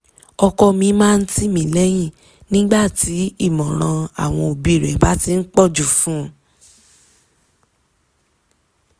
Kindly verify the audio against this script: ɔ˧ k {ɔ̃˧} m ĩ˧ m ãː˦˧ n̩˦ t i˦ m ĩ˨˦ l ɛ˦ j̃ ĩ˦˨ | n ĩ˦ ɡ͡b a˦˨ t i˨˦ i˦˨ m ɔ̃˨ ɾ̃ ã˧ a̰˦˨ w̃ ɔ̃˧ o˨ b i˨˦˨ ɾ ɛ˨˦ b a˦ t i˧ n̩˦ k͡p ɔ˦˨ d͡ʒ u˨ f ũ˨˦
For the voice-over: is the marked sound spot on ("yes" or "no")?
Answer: no